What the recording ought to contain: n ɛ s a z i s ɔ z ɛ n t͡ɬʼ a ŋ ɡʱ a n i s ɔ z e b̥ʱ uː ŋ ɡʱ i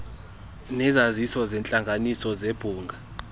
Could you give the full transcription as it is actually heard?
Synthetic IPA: n ɛ z a z i s ɔ z ɛ n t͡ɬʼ a ŋ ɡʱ a n i s ɔ z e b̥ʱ uː ŋ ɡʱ a